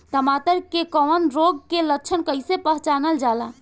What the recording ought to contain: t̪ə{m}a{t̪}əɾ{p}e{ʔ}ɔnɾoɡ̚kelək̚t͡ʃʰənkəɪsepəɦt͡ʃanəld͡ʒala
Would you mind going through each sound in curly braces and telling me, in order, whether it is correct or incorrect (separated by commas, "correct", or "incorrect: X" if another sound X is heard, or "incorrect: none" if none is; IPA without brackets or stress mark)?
correct, correct, incorrect: k, incorrect: k